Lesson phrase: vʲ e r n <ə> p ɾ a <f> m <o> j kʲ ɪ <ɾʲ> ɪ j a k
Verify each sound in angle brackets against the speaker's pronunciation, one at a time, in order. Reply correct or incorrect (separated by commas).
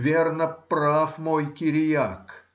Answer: correct, correct, correct, correct